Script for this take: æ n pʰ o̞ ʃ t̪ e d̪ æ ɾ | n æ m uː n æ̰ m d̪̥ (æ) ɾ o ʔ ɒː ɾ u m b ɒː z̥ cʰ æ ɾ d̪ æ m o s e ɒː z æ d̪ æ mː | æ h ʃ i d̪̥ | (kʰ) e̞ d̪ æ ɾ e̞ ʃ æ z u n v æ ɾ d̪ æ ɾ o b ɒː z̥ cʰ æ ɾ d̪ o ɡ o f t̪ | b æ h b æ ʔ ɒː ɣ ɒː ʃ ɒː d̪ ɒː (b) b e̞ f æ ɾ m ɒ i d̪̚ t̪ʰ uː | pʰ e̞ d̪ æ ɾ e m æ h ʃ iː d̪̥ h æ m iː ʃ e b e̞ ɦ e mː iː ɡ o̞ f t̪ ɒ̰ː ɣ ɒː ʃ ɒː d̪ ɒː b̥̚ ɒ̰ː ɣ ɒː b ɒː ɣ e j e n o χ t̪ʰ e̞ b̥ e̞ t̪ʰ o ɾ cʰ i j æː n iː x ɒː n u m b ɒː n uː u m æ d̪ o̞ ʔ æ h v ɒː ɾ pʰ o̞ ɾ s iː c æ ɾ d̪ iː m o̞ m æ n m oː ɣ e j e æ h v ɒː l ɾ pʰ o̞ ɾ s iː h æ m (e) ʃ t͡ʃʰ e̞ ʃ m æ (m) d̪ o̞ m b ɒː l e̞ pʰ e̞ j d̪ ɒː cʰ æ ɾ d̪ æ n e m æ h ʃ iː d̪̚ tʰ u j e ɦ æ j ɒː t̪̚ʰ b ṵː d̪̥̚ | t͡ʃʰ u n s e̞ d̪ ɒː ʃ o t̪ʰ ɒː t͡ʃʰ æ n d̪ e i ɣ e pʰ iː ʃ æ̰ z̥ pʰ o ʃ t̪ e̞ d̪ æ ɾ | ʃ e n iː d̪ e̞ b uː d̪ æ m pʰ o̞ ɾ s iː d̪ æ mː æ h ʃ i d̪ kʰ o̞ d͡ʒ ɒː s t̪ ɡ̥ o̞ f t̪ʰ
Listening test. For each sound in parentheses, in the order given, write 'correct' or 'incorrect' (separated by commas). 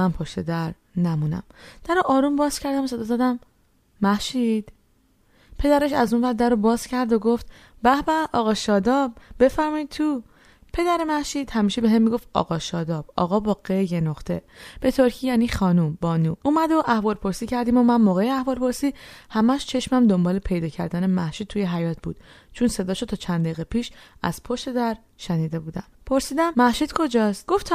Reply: correct, incorrect, correct, incorrect, correct